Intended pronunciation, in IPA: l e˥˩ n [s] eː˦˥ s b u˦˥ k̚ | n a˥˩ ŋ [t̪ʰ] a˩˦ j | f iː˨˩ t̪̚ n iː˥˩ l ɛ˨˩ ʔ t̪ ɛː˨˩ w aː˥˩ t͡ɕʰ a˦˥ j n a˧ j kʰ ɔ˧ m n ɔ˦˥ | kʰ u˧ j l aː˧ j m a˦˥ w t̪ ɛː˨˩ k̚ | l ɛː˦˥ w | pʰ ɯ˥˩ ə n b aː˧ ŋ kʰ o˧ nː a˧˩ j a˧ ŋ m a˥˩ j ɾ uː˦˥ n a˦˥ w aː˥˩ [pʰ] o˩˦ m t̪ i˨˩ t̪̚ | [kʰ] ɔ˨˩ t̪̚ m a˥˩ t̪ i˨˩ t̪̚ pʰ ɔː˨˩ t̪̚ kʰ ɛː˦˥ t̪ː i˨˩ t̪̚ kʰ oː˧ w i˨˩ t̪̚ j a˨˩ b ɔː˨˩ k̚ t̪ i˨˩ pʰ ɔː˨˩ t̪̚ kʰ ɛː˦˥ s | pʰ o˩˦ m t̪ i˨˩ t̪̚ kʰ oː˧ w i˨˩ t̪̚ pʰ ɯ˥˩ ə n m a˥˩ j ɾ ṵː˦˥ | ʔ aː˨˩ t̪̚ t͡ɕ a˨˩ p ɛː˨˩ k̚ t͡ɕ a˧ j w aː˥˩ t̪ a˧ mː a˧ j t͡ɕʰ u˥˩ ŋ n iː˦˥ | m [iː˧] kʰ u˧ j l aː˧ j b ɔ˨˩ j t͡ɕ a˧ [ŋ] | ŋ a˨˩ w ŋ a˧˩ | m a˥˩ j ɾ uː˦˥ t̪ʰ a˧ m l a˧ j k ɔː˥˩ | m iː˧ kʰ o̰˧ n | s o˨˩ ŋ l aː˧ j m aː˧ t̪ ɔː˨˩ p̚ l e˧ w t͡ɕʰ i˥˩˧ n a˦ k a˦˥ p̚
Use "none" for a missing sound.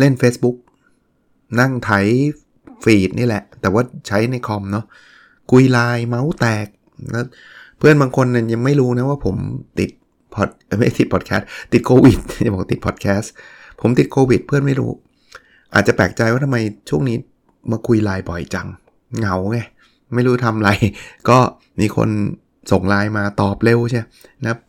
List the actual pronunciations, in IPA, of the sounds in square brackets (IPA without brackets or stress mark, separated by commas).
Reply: f, t̪ʰ, pʰ, pʰ, aː˧, ŋ